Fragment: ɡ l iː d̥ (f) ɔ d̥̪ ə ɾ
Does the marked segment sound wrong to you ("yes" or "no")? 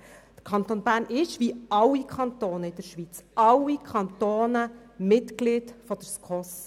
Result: no